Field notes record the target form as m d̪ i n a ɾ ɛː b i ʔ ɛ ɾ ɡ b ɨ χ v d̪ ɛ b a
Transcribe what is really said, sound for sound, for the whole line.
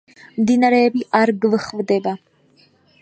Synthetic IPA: m d̪ i n a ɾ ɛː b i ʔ a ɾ ɡ v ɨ χ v d̪ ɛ b a